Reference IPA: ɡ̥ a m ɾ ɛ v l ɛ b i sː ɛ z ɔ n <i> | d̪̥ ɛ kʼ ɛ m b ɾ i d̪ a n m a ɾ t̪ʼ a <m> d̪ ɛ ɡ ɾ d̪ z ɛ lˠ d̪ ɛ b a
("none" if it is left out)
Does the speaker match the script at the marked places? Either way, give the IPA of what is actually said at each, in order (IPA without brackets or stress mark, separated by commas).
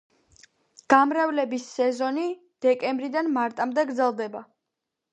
i, m